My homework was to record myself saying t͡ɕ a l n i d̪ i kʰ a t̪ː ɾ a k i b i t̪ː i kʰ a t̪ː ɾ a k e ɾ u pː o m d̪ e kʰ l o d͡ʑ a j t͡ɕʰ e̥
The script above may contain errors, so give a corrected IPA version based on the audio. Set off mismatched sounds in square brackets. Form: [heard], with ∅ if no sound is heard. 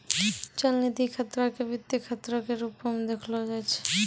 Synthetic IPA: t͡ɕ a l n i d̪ i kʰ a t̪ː ɾ a k [e] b i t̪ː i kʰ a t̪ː ɾ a k e ɾ u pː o m d̪ e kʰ l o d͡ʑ a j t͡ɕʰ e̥